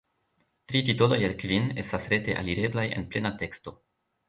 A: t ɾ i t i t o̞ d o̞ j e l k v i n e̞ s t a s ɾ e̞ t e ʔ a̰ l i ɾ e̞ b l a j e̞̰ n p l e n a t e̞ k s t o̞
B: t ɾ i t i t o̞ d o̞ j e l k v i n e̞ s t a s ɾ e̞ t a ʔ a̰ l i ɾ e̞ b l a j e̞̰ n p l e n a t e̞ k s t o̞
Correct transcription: A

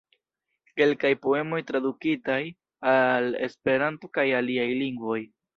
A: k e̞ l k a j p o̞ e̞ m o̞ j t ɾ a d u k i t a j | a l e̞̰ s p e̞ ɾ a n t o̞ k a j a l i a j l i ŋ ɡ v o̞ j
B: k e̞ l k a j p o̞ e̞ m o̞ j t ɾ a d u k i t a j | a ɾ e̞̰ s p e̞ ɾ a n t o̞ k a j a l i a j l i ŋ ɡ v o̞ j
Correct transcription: A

